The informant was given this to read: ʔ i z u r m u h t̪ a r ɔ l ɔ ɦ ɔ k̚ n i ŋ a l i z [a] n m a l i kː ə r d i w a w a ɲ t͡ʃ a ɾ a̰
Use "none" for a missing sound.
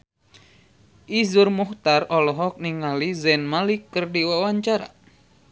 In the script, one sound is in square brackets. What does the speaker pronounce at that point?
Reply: ɛ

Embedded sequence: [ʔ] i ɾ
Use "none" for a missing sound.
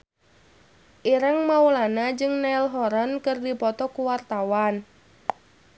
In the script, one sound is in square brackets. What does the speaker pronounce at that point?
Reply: ʔ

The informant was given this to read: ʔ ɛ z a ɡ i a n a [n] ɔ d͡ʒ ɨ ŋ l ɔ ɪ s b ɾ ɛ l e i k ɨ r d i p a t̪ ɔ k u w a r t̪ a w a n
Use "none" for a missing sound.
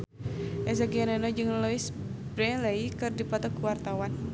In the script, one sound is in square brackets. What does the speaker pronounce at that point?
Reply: n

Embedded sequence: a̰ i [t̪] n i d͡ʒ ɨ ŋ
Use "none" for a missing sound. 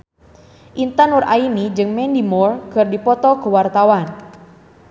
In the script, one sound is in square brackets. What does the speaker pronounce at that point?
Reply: none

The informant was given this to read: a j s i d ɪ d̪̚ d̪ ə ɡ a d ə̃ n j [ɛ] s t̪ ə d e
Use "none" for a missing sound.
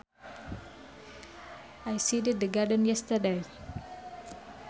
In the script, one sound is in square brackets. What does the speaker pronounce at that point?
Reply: ɛ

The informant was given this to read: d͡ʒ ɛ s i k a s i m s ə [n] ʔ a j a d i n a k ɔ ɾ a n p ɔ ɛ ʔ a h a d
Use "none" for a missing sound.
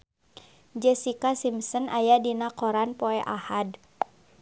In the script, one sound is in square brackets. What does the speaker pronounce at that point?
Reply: n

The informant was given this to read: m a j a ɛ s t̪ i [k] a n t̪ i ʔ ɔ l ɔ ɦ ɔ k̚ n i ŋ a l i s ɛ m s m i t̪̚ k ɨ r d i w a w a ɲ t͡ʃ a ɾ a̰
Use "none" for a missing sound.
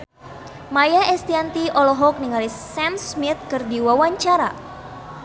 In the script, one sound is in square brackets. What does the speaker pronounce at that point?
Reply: none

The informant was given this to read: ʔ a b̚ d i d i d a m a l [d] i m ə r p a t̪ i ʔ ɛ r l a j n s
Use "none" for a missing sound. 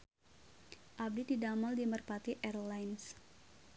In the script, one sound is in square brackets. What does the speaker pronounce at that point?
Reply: d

